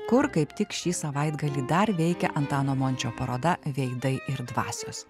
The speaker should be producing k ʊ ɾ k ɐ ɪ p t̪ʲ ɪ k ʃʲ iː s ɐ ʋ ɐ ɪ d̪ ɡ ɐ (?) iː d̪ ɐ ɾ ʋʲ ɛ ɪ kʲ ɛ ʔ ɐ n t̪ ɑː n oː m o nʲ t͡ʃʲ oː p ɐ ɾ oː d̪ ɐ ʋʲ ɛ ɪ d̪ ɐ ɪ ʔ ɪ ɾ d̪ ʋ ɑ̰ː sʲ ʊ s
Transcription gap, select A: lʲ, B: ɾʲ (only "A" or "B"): A